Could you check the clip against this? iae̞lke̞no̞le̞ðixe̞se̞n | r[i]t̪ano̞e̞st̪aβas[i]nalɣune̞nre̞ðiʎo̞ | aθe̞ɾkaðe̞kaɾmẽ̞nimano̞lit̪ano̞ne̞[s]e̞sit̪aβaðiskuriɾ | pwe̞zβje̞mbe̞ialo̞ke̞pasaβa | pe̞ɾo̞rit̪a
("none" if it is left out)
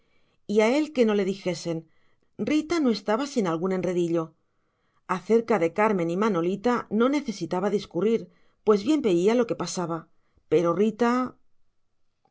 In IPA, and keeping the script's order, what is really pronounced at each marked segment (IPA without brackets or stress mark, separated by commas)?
i, i, θ